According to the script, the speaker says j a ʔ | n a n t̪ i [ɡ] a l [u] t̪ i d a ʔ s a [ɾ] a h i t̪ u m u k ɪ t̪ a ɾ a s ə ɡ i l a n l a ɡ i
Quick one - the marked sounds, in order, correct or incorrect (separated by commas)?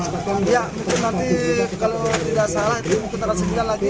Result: incorrect, incorrect, incorrect